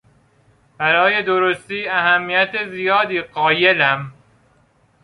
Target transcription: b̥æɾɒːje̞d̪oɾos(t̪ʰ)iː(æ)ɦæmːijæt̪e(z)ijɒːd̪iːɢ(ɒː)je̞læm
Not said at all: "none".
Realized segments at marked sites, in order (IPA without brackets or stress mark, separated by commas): t̪, æ, z, ɒː